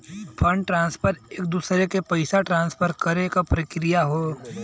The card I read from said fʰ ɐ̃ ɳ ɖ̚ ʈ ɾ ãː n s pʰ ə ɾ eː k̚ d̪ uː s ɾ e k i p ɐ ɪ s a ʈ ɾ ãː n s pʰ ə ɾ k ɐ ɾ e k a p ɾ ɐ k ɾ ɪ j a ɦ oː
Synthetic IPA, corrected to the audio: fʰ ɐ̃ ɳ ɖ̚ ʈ ɾ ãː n s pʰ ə ɾ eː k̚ d̪ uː s ɾ e k e p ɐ ɪ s a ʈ ɾ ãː n s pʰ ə ɾ k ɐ ɾ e k a p ɾ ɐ k ɾ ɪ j a ɦ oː